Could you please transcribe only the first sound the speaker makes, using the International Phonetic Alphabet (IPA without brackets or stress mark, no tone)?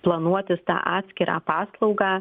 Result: p